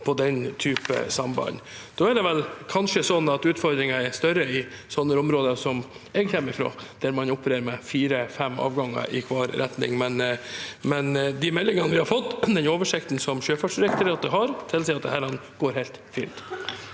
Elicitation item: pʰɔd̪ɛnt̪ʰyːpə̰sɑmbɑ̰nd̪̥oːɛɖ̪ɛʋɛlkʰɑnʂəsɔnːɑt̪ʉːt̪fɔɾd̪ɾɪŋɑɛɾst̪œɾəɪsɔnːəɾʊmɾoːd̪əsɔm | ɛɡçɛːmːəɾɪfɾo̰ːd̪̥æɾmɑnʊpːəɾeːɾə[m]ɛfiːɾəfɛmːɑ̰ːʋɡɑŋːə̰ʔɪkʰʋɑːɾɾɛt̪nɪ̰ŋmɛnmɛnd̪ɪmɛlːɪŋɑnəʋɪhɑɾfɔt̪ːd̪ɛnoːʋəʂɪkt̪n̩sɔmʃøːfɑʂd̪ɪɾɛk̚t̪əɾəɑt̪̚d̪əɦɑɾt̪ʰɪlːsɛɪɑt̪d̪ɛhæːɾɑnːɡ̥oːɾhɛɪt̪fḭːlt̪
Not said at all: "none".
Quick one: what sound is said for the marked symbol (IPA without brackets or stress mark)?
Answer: m